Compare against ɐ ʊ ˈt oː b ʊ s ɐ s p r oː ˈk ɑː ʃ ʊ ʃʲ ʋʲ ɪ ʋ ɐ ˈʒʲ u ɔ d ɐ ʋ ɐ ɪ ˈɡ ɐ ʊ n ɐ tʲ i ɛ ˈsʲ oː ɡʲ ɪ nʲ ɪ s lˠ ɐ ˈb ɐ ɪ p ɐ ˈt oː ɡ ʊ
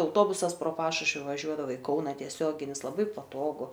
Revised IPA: ɐ ʊ ˈt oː b ʊ s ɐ s p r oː ˈp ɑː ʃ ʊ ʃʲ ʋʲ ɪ ʋ ɐ ˈʒʲ u ɔ d ɐ ʋ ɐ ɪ ˈk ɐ ʊ n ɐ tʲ i ɛ ˈsʲ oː ɡʲ ɪ nʲ ɪ s lˠ ɐ ˈb ɐ ɪ p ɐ ˈt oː ɡ ʊ

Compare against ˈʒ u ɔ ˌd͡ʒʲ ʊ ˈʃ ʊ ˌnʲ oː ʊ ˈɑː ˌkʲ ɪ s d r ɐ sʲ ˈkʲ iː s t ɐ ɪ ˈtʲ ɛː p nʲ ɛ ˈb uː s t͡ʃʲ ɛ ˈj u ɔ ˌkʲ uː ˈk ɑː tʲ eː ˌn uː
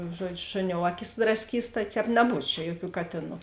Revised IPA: ˈʒ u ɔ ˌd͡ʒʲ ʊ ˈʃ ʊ ˌnʲ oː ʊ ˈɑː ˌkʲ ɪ s d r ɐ sʲ ˈkʲ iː s t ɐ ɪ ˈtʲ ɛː p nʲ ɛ ˈb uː s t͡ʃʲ ɛ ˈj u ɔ ˌkʲ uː ˈk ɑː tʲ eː ˌn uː

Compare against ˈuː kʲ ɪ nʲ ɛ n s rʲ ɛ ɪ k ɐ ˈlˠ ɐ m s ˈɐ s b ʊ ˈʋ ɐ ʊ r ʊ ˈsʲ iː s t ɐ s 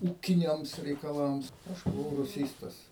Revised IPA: ˈuː kʲ ɪ nʲ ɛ m s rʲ ɛ ɪ k ɐ ˈlˠ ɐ m s ˈɐ ʃ b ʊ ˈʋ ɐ ʊ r ʊ ˈsʲ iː s t ɐ s

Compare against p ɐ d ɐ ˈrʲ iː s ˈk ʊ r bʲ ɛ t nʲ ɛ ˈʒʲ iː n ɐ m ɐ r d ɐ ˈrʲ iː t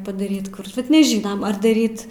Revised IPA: p ɐ d ɐ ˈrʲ iː t ˈk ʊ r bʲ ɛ t nʲ ɛ ˈʒʲ iː n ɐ m ɐ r d ɐ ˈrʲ iː t

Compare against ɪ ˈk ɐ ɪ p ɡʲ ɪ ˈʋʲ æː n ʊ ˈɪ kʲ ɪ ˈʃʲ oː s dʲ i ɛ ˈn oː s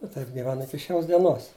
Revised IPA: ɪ ˈt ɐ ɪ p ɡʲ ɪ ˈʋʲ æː n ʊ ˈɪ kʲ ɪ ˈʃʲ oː s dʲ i ɛ ˈn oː s

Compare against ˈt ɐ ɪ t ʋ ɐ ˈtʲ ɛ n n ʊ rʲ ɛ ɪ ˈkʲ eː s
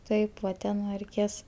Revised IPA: ˈt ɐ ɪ p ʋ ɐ ˈtʲ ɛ n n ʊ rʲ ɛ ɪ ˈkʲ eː s

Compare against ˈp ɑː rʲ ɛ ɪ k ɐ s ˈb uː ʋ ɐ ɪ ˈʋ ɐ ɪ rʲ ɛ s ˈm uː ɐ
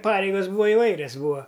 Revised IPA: ˈp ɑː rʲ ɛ ɪ ɡ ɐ s ˈb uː ʋ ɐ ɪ ˈʋ ɐ ɪ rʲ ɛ s ˈb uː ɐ

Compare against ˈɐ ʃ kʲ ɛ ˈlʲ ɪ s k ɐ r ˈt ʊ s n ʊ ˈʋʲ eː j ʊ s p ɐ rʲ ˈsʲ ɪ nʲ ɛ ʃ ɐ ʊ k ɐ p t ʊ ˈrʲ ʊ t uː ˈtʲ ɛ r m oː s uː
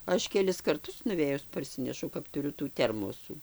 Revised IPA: ˈɐ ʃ kʲ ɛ ˈlʲ ɪ s k ɐ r ˈt ʊ s n ʊ ˈʋʲ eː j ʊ s p ɐ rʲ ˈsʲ ɪ nʲ ɛ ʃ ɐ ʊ k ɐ p t ʊ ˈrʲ ʊ t uː ˈtʲ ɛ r m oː s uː

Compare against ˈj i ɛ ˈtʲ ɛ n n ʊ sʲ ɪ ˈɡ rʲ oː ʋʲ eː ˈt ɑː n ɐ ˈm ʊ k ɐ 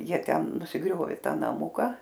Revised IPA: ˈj i ɛ ˈtʲ ɛ n n ʊ sʲ ɪ ˈɡ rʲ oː ʋʲ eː ˈt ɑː n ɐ ˈm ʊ k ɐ

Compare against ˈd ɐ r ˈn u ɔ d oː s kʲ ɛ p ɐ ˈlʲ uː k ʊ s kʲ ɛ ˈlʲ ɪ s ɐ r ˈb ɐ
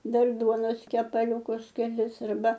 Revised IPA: ˈd ɐ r ˈd u ɔ n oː s kʲ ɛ p ɐ ˈlʲ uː k ʊ s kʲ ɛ ˈlʲ ɪ s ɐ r ˈb ɐ

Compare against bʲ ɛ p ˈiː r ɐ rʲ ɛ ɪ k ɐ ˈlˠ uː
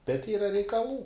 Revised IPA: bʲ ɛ t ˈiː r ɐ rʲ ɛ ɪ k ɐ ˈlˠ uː

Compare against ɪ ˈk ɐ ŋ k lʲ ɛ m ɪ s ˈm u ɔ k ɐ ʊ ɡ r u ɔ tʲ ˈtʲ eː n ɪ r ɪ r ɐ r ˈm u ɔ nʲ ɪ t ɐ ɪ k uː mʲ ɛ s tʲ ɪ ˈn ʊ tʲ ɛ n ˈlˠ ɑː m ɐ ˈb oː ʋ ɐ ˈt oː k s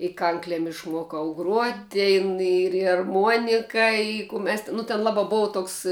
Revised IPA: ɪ ˈk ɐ ŋ k lʲ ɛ m ɪ ʃ ˈm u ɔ k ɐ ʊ ɡ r u ɔ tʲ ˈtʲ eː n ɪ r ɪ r ɐ r ˈm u ɔ nʲ ɪ k ɐ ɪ k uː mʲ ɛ s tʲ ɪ ˈn ʊ tʲ ɛ n ˈlˠ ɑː b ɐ ˈb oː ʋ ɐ ˈt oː k s

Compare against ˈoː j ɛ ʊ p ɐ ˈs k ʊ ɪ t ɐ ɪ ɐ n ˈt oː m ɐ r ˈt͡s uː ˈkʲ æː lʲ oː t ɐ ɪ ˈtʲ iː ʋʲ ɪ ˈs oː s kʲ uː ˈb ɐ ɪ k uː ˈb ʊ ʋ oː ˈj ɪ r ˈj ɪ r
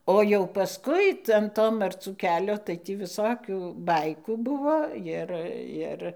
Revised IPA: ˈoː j ɛ ʊ p ɐ ˈs k ʊ ɪ t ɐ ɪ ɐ n ˈt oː m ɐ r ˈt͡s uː ˈkʲ æː lʲ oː t ɐ ɪ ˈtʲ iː ʋʲ ɪ ˈs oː kʲ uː ˈb ɐ ɪ k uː ˈb ʊ ʋ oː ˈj ɪ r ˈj ɪ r

